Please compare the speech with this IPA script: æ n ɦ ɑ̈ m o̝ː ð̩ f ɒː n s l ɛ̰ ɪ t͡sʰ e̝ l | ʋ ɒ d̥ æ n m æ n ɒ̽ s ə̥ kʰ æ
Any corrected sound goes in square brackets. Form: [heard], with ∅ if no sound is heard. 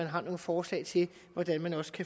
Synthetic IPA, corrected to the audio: æ n ɦ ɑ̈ [n] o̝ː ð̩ f ɒː [∅] s l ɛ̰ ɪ t͡sʰ e̝ l | ʋ ɒ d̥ æ n m æ n ɒ̽ s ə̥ kʰ æ